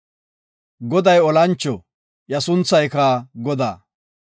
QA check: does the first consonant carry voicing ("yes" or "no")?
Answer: yes